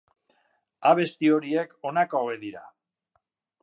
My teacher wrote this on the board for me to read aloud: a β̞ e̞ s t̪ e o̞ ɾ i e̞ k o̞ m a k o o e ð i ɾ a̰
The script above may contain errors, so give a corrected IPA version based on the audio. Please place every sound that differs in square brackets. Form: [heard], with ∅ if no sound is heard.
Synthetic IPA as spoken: a β̞ e̞ s t̪ [i] o̞ ɾ i e̞ k o̞ [n] a k o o e ð i ɾ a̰